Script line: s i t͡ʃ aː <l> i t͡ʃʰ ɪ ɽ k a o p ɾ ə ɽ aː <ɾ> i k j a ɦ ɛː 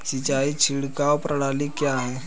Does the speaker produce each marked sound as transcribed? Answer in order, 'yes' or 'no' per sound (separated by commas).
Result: no, no